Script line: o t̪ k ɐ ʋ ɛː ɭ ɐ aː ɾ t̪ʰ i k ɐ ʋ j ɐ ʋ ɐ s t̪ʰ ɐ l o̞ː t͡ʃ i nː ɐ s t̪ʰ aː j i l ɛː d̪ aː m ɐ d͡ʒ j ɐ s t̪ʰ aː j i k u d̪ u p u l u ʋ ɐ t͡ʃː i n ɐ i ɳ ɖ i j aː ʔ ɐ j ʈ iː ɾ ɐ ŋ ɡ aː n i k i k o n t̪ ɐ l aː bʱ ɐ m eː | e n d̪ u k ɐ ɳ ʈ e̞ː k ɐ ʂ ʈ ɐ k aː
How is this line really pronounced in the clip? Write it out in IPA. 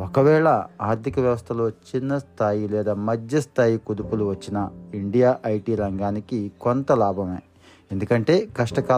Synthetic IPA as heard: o k ɐ ʋ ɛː ɭ ɐ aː ɾ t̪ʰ i k ɐ ʋ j ɐ ʋ ɐ s t̪ʰ ɐ l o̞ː t͡ʃ i nː ɐ s t̪ʰ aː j i l ɛː d̪ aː m ɐ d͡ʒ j ɐ s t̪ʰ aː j i k u d̪ u p u l u ʋ ɐ t͡ʃː i n ɐ i ɳ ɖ i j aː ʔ ɐ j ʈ iː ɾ ɐ ŋ ɡ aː n i k i k o n t̪ ɐ l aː bʱ ɐ m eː | e n d̪ u k ɐ ɳ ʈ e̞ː k ɐ ʂ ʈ ɐ k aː